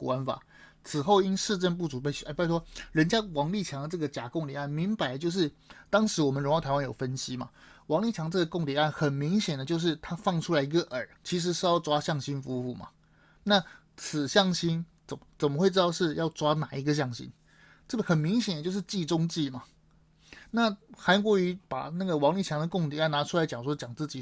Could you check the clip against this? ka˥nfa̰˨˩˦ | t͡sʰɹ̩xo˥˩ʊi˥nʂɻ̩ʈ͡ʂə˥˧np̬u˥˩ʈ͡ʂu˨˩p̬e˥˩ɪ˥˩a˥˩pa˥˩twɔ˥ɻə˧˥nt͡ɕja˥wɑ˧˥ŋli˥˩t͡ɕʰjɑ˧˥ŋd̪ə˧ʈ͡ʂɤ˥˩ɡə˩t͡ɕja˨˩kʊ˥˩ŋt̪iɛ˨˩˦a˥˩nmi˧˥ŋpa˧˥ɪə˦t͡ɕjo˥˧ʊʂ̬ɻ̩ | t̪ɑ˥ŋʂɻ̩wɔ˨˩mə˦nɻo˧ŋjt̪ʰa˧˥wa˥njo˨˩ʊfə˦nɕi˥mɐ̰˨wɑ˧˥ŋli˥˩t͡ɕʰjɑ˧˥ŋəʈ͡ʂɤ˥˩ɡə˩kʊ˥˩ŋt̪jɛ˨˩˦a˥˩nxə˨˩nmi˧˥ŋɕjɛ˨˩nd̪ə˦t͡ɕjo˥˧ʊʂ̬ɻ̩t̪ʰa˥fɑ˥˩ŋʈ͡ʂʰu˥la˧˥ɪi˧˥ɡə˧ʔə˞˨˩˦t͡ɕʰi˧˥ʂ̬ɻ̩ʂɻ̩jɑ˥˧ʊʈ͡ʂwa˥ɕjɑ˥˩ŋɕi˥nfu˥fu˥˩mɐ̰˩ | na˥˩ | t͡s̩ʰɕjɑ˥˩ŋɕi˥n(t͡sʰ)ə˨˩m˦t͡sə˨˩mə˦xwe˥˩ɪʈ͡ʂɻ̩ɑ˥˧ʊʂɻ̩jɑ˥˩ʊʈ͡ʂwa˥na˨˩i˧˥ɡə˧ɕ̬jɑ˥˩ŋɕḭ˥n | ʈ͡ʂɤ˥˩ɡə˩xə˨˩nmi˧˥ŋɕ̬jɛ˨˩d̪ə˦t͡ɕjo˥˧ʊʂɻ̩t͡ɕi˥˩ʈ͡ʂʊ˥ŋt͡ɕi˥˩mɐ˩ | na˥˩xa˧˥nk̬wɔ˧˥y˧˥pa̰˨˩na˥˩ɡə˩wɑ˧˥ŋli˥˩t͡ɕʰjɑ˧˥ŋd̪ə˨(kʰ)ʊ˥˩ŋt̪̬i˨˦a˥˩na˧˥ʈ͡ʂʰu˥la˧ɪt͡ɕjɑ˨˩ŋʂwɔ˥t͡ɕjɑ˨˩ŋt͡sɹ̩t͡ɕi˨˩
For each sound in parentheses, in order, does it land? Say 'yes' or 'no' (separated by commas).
no, no